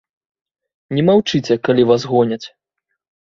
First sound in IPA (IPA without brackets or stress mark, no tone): nʲ